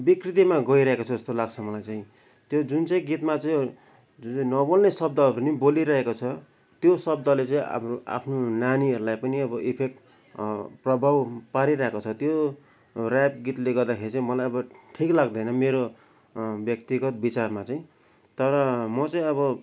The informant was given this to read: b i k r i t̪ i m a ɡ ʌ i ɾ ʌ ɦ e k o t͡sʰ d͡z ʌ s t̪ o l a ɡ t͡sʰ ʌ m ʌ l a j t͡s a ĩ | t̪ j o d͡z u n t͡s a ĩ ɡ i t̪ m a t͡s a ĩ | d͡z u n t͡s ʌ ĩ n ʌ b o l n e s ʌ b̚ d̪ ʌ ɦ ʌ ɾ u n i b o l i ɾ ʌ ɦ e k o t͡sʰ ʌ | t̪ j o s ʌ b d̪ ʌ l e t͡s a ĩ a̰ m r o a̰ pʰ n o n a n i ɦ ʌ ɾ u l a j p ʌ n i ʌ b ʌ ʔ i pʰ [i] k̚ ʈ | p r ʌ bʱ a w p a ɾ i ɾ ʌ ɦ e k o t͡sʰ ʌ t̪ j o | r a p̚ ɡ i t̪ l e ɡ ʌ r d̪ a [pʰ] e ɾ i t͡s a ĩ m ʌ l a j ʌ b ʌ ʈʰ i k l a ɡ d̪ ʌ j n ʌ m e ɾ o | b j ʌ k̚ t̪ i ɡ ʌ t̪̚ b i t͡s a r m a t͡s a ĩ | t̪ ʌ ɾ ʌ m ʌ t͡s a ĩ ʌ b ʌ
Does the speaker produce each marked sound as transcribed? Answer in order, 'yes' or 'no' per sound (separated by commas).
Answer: no, no